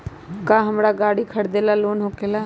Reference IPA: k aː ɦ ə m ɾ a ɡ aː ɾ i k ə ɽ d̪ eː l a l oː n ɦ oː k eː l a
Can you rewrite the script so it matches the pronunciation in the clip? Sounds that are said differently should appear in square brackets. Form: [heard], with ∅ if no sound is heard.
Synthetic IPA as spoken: k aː ɦ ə m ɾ a ɡ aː [ɽ] i [kʰ] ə ɽ d̪ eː l a l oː n ɦ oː k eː l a